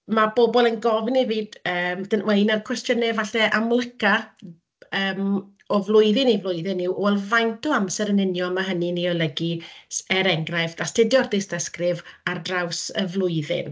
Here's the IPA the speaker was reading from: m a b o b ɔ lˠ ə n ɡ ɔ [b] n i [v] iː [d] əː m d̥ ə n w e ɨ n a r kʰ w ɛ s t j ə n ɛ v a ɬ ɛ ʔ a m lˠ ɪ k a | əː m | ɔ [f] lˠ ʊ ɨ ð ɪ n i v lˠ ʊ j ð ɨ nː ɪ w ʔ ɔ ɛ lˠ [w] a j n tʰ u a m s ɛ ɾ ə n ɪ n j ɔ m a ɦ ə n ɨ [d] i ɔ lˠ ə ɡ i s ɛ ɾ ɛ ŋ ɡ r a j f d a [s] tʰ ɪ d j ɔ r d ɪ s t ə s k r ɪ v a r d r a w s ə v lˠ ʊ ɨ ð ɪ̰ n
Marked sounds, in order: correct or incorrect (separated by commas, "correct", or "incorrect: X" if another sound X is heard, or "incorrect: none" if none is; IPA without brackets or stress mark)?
incorrect: v, correct, correct, incorrect: v, incorrect: v, incorrect: n, correct